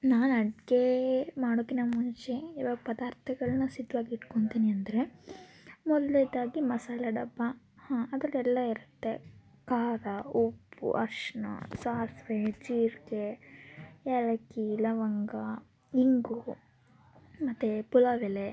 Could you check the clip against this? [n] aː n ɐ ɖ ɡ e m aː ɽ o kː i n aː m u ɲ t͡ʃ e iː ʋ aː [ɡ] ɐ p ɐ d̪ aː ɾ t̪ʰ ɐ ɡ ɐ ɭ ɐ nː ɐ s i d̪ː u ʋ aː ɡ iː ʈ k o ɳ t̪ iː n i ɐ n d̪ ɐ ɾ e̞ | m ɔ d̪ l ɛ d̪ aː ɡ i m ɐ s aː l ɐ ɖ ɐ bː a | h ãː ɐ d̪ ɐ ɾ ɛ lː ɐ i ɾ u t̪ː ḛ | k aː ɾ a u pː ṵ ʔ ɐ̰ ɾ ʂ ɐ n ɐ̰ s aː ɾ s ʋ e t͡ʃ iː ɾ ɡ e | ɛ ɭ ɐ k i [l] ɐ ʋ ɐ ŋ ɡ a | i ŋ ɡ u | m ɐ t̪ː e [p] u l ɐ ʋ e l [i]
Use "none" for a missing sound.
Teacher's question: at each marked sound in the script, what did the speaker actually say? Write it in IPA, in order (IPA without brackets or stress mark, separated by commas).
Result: n, ɡ, l, p, e